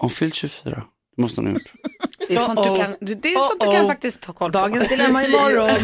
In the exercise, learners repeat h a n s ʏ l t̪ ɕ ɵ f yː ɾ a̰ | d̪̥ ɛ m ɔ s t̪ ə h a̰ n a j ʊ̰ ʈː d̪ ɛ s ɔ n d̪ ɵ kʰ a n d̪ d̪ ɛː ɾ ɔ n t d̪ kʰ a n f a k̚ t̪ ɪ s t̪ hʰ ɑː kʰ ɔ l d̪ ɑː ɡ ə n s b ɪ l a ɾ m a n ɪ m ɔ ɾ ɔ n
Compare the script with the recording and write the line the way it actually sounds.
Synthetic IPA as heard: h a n f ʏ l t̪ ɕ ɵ f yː ɾ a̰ | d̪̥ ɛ m ɔ s t̪ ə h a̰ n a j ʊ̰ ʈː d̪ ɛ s ɔ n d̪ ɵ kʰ a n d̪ d̪ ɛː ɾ ɔ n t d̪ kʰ a n f a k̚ t̪ ɪ s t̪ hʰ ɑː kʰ ɔ l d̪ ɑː ɡ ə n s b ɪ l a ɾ m a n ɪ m ɔ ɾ ɔ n